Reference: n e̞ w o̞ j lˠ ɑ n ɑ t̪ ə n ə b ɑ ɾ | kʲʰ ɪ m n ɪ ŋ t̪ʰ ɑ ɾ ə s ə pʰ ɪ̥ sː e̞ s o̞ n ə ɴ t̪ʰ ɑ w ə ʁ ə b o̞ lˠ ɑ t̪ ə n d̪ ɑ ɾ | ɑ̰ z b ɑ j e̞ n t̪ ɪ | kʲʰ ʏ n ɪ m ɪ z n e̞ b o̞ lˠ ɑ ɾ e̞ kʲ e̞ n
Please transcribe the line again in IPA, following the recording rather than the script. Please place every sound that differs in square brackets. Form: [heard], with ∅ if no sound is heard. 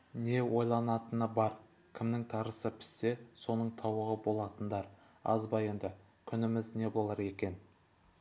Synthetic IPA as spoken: n e̞ w o̞ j lˠ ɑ n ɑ t̪ ə n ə b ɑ ɾ | kʲʰ ɪ m n ɪ ŋ t̪ʰ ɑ ɾ ə s ə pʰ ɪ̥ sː e̞ s o̞ n ə ɴ t̪ʰ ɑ w ə ʁ ə b o̞ lˠ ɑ t̪ ə n d̪ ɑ ɾ | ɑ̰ z b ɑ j e̞ n [d̪] ɪ | kʲʰ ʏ n ɪ m ɪ z n e̞ b o̞ lˠ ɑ ɾ e̞ kʲ e̞ n